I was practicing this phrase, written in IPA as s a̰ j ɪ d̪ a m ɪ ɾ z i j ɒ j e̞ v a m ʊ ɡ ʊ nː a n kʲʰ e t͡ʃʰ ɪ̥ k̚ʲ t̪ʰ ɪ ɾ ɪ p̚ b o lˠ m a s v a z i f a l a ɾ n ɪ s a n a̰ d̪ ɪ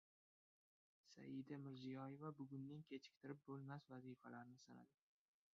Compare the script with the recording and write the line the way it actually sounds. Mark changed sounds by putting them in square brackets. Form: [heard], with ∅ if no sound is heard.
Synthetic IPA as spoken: s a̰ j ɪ d̪ a m ɪ ɾ z i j ɒ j e̞ v a [b] ʊ ɡ ʊ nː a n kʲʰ e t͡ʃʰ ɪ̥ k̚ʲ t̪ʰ ɪ ɾ ɪ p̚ b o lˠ m a s v a z i f a l a ɾ n ɪ s a n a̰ d̪ ɪ